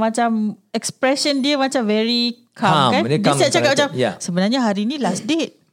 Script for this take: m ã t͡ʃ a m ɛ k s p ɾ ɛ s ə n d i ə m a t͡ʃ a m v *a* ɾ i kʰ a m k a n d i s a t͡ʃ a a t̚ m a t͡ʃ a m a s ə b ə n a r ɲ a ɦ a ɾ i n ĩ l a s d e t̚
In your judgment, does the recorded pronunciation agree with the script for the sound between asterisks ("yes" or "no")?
no